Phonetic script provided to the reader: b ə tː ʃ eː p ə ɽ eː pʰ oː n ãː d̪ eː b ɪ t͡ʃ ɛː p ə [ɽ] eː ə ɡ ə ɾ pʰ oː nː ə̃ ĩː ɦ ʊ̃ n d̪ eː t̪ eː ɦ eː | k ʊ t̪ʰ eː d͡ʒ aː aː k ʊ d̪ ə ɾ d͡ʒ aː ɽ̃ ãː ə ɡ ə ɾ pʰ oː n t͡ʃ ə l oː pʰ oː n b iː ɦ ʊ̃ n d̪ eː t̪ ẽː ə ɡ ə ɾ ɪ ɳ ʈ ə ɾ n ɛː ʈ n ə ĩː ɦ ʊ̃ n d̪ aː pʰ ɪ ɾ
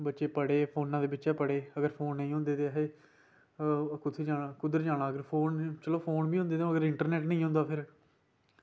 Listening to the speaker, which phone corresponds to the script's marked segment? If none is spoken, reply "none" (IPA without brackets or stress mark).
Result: ɽ